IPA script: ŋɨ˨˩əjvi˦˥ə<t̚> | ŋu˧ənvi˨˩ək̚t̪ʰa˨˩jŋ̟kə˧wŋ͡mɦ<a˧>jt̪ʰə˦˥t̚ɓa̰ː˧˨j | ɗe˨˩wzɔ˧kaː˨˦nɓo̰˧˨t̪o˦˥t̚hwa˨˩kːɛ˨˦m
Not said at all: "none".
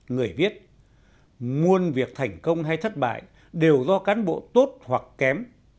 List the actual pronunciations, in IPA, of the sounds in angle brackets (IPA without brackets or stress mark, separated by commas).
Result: t̚, a˧